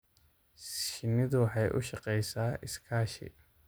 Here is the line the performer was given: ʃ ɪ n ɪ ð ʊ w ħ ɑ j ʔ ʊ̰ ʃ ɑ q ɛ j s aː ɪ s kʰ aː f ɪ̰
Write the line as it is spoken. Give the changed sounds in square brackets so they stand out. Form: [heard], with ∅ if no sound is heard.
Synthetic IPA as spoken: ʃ ɪ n ɪ ð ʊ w ħ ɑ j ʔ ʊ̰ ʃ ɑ q ɛ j s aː ɪ s kʰ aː [ʃ] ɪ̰